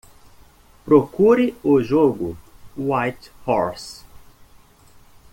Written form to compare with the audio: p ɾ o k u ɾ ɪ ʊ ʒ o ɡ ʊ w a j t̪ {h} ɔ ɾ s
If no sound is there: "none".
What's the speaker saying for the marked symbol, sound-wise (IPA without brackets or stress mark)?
h